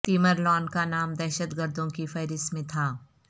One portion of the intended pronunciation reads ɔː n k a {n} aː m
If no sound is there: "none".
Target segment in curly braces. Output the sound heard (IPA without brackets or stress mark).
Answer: n